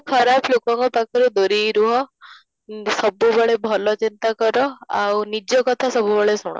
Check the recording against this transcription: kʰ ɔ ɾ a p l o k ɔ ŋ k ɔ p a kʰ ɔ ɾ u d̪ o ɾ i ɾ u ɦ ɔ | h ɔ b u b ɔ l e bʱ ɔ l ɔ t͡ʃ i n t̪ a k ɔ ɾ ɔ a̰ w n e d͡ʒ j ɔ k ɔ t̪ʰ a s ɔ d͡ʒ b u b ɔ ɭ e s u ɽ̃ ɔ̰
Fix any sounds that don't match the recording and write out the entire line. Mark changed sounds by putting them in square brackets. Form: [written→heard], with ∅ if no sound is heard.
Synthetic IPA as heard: kʰ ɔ ɾ a p l o k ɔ ŋ k ɔ p a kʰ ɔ ɾ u d̪ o ɾ i ɾ u ɦ ɔ | [h→s] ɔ b u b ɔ [l→ɭ] e bʱ ɔ l ɔ t͡ʃ i n t̪ a k ɔ ɾ ɔ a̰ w n [e→i] d͡ʒ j ɔ k ɔ t̪ʰ a s ɔ [d͡ʒ→∅] b u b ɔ ɭ e s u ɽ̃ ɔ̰